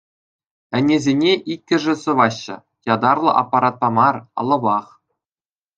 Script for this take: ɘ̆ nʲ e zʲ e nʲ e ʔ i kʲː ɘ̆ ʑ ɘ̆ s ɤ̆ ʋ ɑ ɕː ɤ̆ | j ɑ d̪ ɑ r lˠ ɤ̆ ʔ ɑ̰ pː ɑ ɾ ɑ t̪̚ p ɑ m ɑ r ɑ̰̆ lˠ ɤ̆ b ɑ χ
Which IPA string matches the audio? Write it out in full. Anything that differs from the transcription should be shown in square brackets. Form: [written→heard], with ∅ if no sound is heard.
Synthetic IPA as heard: ɘ̆ nʲ e zʲ e nʲ e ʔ i kʲː ɘ̆ [ʑ→ʐ] ɘ̆ s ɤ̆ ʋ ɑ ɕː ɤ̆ | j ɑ d̪ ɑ r lˠ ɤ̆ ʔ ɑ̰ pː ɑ ɾ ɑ t̪̚ p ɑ m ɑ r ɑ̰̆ lˠ ɤ̆ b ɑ χ